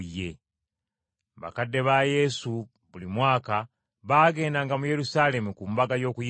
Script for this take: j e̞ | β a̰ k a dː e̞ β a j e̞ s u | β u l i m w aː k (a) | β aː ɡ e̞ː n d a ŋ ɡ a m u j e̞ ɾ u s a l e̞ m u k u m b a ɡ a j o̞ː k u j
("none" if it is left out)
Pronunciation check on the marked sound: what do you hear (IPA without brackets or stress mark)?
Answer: a